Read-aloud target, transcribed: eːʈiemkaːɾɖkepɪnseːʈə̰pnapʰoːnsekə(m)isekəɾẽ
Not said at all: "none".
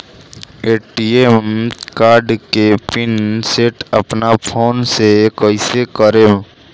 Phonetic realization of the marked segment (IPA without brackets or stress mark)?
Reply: none